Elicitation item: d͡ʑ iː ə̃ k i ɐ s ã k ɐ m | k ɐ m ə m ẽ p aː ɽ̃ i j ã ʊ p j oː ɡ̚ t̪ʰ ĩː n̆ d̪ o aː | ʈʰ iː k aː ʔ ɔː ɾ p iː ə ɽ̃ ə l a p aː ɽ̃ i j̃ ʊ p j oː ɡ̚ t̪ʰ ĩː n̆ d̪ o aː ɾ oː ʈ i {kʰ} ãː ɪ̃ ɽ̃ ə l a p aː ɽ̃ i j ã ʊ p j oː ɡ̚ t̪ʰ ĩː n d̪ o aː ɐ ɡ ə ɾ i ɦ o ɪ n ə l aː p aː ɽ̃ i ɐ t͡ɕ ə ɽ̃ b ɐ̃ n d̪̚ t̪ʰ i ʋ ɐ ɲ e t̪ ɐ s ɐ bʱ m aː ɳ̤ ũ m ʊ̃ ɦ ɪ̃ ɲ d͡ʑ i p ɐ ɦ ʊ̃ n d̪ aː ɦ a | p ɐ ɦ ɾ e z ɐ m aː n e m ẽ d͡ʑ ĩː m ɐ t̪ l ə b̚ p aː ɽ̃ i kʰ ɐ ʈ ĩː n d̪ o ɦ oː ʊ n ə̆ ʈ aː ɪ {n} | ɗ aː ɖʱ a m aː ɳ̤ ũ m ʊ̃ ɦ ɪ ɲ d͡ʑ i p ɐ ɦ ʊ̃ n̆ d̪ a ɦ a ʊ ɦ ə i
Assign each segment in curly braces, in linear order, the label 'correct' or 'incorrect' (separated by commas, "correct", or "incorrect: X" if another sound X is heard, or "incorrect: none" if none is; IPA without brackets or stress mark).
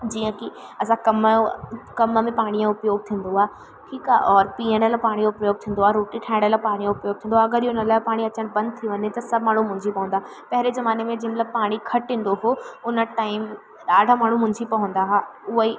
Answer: incorrect: ʈʰ, incorrect: m